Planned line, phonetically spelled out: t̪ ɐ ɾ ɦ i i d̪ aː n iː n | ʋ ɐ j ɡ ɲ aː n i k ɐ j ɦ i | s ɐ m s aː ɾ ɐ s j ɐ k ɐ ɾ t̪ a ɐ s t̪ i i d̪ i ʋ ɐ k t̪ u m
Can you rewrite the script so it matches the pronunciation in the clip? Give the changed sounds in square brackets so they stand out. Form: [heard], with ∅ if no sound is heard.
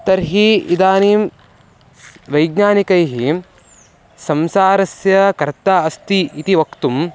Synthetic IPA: t̪ ɐ ɾ ɦ i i d̪ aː n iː [m] | ʋ ɐ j ɡ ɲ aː n i k ɐ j ɦ i | s ɐ m s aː ɾ ɐ s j ɐ k ɐ ɾ t̪ a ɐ s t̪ i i [t̪] i ʋ ɐ k t̪ u m